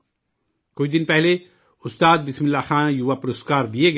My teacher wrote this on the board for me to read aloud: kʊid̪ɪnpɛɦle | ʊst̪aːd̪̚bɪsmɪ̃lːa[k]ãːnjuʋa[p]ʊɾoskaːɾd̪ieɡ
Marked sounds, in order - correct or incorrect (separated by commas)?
incorrect, correct